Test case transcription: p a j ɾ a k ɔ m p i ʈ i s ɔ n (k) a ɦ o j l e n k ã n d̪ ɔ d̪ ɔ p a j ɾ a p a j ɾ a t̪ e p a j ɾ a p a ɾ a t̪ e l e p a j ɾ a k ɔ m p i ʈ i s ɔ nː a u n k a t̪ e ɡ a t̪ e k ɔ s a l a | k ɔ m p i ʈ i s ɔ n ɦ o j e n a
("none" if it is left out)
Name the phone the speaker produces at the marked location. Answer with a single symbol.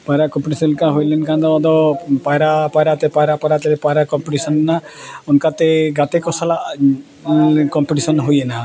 k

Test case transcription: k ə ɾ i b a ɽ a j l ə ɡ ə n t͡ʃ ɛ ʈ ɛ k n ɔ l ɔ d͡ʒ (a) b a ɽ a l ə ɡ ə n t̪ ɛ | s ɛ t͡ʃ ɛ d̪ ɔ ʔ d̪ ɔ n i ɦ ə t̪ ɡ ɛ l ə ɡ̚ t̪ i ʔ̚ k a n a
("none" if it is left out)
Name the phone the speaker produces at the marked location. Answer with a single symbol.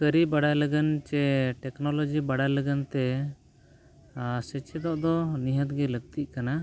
i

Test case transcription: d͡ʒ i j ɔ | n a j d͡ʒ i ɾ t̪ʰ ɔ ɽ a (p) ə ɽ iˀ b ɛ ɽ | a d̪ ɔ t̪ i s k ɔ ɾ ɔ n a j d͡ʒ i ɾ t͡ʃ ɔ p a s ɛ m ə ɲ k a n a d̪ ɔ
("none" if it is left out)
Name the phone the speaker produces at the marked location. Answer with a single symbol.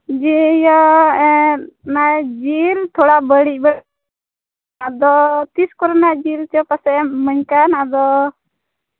b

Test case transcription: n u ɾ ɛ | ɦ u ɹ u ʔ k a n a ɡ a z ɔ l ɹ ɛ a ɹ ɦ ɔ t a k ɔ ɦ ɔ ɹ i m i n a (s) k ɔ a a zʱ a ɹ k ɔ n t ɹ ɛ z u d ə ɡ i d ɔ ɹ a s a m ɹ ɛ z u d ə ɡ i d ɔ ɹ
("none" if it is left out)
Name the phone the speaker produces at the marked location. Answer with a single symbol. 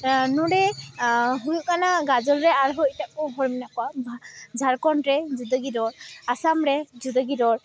none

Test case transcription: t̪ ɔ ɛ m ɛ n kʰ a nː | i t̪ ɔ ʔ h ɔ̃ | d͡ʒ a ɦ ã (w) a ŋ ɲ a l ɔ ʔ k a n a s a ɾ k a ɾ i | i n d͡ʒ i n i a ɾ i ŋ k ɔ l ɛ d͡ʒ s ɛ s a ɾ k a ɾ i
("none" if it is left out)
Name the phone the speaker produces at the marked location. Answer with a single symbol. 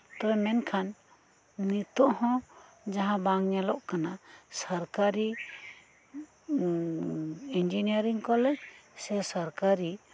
b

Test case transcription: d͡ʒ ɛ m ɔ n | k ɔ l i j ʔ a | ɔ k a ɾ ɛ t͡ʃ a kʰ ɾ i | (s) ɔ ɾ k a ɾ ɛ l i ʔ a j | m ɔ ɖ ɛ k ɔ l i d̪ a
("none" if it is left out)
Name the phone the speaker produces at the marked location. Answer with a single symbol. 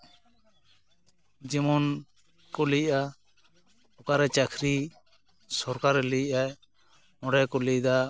s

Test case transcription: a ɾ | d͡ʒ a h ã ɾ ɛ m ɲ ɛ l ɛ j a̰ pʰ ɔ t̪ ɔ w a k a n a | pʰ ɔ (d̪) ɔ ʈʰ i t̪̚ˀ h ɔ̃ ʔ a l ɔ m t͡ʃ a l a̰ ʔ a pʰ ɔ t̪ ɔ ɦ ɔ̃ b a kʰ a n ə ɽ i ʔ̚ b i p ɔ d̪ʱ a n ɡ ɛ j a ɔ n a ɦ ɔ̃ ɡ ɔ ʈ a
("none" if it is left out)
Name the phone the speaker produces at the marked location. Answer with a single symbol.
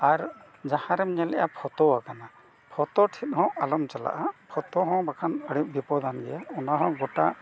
t̪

